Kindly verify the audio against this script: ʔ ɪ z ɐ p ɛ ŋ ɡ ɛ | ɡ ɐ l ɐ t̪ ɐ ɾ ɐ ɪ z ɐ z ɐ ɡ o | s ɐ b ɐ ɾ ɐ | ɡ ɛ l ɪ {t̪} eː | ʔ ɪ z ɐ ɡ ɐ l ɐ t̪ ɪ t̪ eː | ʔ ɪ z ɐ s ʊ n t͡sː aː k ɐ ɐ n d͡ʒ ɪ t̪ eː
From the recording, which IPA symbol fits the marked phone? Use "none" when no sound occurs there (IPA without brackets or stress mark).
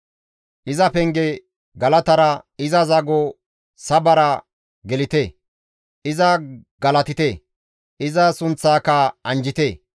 t̪